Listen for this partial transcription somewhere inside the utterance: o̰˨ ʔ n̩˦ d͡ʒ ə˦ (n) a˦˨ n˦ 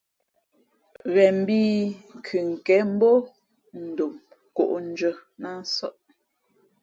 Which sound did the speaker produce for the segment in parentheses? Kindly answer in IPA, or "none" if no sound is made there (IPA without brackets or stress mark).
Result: n